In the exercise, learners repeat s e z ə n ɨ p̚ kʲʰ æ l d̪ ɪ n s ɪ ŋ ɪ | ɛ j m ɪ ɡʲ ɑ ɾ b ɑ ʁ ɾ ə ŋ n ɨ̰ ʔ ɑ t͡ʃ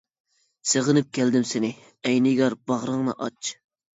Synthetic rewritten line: s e ʁ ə n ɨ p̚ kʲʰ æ l d̪ ɪ m s ɪ n ɪ | ɛ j n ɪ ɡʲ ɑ ɾ b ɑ ʁ ɾ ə ŋ n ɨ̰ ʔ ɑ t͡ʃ

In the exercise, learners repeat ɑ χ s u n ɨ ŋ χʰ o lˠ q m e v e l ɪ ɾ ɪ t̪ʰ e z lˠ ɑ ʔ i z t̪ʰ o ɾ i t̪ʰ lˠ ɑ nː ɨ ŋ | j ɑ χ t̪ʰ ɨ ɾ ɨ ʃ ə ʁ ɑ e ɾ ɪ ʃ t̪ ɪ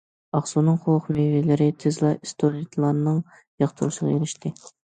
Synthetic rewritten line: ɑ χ s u n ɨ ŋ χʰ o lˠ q m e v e l ɪ ɾ ɪ t̪ʰ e z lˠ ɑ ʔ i s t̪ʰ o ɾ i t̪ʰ lˠ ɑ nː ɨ ŋ | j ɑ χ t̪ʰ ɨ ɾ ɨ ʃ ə ʁ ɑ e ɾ ɪ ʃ t̪ ɪ

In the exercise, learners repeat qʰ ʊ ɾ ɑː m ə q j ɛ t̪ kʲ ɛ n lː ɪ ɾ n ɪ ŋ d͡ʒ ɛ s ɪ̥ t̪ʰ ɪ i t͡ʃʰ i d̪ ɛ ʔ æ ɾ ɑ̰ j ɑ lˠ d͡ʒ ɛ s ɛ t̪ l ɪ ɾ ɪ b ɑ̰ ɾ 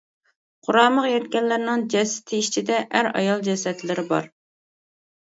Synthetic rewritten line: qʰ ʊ ɾ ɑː m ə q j ɛ t̪ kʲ ɛ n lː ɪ ɾ n ɪ ŋ d͡ʒ ɛ s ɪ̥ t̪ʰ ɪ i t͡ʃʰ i d̪ ɛ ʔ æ ɾ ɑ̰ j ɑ lˠ d͡ʒ ɛ s ɛ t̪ l ɪ ɾ ɪ b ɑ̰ ɾ

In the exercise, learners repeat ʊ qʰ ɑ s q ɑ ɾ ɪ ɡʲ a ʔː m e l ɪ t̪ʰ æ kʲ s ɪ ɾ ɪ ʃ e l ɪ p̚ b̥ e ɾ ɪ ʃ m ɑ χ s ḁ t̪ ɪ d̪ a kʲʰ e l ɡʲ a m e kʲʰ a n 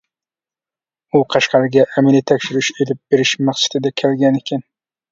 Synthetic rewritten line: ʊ qʰ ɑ ʃ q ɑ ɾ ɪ ɡʲ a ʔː m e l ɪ t̪ʰ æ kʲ ʃ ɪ ɾ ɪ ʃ e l ɪ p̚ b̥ e ɾ ɪ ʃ m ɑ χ s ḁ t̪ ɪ d̪ a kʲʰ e l ɡʲ a n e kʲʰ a n

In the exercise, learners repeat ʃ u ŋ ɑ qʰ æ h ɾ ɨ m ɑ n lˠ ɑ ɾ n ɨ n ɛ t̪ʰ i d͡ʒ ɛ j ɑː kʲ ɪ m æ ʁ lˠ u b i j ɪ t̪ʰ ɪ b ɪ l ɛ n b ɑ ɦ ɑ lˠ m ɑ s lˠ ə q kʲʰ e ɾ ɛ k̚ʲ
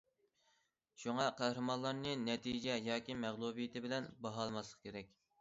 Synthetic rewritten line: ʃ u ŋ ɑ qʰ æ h ɾ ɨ m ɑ n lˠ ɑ ɾ n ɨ n ɛ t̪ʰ i d͡ʒ ɛ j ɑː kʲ i m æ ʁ lˠ u b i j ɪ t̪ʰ ɪ b ɪ l ɛ n b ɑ ɦ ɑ lˠ m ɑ s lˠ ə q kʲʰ e ɾ ɛ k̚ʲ

